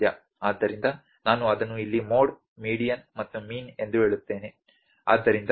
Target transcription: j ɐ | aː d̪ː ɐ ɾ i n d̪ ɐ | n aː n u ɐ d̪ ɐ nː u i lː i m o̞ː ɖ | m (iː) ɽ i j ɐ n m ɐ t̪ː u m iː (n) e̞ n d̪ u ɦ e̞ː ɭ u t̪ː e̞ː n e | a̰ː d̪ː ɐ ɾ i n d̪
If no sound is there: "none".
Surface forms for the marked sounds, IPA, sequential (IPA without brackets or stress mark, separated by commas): iː, n